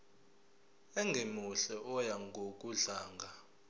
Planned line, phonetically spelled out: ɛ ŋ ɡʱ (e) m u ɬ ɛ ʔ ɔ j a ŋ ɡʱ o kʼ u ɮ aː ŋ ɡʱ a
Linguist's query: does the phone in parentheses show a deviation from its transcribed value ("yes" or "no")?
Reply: no